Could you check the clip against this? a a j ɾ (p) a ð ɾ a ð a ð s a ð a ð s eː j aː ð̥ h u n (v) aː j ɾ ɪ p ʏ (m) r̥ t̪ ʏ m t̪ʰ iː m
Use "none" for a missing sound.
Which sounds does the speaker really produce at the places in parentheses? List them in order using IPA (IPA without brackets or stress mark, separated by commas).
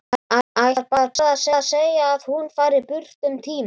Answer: p, f, none